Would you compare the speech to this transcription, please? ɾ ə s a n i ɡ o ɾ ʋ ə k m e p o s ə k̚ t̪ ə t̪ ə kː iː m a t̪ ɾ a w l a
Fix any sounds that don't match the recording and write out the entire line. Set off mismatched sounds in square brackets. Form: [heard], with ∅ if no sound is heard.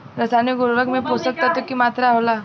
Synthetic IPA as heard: ɾ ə s a n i ɡ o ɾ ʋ ə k m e p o s ə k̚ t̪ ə t̪ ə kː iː m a t̪ ɾ a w l a